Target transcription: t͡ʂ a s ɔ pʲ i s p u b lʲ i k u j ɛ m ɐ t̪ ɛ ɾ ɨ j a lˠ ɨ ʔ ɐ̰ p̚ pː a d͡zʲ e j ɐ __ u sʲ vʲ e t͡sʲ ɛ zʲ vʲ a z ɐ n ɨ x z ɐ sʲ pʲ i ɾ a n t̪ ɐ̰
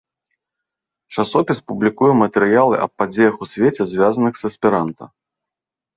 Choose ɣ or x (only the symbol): x